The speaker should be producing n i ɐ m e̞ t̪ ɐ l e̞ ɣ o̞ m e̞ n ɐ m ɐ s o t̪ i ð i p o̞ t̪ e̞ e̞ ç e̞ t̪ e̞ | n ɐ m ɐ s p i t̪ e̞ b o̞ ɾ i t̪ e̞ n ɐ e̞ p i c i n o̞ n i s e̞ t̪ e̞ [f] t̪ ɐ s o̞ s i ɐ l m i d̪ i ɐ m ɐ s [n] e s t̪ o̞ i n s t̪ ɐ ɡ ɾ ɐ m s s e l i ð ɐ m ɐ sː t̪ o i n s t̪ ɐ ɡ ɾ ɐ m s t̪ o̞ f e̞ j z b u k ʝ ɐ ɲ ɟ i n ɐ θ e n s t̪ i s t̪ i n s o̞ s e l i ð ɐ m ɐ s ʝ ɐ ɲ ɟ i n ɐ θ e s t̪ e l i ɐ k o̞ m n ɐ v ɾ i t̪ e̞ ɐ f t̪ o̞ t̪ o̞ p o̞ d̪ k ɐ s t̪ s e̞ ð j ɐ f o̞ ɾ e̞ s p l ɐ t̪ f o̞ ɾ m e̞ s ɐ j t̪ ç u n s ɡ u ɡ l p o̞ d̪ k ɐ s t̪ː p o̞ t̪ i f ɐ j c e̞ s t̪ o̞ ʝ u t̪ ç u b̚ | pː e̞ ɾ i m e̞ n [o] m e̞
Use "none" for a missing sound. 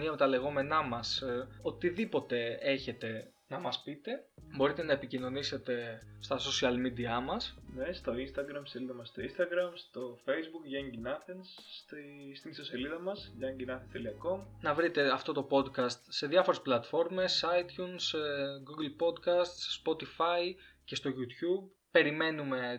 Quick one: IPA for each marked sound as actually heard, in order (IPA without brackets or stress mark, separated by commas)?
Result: s, n, u